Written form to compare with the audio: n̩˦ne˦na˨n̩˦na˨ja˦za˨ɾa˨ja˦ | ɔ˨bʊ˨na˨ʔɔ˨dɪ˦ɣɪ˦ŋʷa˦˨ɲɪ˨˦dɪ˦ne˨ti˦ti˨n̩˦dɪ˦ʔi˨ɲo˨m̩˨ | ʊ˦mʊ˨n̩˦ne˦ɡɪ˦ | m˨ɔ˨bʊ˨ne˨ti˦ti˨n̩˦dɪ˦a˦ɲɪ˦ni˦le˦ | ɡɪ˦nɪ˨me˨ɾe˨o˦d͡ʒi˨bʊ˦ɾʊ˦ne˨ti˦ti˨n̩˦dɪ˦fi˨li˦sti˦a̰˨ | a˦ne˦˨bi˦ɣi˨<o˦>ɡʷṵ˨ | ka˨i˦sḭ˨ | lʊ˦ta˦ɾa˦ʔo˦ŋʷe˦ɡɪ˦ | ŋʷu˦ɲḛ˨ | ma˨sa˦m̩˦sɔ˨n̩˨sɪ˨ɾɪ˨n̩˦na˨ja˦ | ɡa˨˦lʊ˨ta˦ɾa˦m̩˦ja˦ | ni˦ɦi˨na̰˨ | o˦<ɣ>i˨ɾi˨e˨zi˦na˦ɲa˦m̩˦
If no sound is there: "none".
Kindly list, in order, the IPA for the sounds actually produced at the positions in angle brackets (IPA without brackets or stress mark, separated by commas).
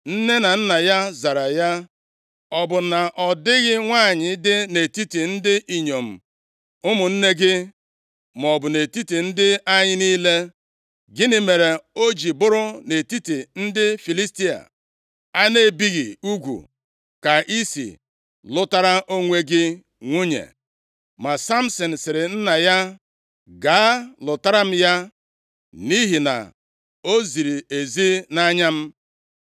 u˦, z